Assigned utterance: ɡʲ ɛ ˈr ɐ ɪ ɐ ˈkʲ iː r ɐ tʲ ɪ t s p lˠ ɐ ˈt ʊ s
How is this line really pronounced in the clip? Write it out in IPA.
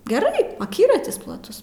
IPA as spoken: ɡʲ ɛ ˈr ɐ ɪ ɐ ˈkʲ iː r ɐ tʲ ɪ s p lˠ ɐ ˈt ʊ s